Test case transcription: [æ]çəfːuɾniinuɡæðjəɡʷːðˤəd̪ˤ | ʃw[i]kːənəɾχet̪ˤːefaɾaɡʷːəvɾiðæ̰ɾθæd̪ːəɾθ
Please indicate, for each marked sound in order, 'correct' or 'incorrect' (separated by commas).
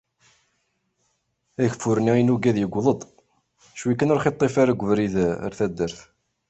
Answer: correct, correct